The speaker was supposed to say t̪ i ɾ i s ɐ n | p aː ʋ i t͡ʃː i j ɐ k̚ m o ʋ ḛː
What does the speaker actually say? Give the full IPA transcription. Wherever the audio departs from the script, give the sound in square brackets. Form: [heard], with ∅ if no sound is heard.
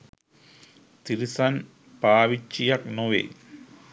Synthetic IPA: t̪ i ɾ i s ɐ n | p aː ʋ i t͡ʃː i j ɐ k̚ [n] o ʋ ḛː